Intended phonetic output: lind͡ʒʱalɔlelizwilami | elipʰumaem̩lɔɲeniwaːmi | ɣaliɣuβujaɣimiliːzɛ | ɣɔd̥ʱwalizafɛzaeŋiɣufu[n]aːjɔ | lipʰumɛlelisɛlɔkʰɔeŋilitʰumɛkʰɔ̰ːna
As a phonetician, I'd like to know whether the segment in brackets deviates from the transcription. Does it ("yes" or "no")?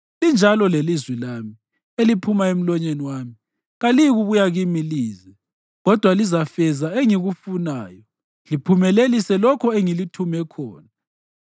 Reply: no